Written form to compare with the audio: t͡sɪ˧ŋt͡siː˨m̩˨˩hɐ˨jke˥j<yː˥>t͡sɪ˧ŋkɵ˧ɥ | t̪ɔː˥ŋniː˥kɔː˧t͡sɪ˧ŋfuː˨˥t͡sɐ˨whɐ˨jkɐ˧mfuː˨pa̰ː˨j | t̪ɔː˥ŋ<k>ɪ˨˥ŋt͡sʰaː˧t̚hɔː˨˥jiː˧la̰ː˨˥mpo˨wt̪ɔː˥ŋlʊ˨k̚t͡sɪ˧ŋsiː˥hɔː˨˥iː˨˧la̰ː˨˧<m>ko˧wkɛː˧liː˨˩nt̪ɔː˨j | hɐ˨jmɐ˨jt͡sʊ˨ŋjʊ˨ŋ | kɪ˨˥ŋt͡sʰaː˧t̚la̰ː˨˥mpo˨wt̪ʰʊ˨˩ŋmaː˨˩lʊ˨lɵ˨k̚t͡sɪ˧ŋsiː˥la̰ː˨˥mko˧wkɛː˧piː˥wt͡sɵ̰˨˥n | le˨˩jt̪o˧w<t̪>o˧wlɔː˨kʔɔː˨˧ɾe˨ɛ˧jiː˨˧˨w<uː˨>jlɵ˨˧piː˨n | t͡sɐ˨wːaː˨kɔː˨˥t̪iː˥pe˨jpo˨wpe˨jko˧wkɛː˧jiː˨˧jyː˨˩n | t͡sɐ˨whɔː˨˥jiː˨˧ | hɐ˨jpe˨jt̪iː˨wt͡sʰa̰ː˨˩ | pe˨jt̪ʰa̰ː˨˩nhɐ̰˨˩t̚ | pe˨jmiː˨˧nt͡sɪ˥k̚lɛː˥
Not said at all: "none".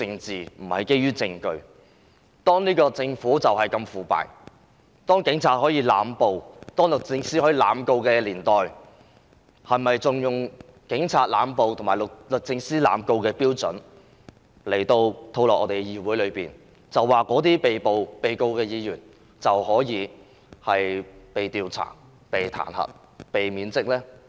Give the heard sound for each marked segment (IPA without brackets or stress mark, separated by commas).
yː˥, k, m, t̪ʰ, uː˨˥